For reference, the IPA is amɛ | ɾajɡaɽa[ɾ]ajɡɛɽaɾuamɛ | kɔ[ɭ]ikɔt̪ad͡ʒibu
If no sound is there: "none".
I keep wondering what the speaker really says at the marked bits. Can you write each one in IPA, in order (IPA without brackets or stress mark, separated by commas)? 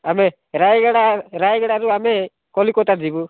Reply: ɾ, l